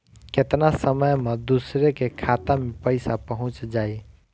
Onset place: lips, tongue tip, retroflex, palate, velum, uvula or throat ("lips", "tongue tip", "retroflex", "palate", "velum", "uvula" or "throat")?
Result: velum